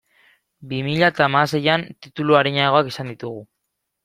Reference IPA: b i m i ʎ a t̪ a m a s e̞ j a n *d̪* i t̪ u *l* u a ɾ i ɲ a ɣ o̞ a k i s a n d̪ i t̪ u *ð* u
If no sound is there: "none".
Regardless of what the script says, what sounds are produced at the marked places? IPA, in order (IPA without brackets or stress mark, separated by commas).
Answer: t̪, l, ɣ